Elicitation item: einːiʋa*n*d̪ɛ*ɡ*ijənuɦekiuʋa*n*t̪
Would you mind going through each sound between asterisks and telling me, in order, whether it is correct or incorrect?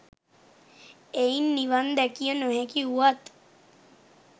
correct, incorrect, incorrect

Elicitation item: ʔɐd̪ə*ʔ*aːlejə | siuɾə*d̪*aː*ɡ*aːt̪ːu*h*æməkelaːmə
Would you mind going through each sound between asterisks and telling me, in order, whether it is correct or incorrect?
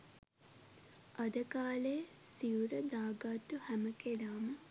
incorrect, correct, correct, correct

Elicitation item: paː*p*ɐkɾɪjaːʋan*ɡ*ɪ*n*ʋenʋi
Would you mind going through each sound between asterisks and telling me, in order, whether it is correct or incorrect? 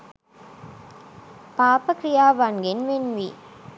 correct, correct, correct

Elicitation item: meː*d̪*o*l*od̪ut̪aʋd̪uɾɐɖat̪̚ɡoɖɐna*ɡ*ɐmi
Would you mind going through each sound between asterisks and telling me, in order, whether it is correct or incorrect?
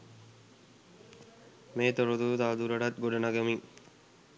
incorrect, incorrect, correct

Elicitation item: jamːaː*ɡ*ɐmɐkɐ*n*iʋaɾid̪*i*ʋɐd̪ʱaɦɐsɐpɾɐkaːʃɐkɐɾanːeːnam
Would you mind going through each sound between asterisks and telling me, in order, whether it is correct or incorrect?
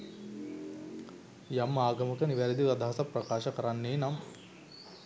correct, correct, correct

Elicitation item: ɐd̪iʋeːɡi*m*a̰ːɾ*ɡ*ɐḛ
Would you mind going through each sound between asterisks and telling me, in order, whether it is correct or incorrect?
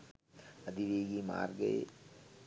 correct, correct

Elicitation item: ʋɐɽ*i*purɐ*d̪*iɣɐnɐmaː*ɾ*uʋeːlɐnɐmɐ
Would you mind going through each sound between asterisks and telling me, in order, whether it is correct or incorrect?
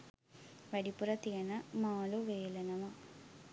correct, incorrect, incorrect

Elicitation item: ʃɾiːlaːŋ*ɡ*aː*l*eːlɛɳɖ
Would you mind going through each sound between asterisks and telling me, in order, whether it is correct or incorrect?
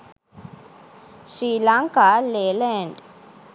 incorrect, correct

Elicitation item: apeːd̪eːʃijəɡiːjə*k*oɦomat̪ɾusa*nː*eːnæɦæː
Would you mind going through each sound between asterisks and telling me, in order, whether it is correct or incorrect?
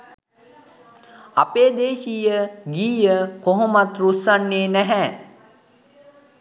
correct, correct

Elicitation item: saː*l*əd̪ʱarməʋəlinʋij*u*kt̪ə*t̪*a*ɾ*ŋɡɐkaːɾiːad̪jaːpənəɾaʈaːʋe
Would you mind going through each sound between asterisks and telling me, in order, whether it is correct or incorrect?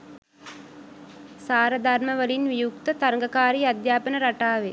incorrect, correct, correct, correct

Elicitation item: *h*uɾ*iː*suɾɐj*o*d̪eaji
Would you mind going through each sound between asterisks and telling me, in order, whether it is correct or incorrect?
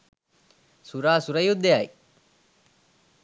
incorrect, incorrect, incorrect

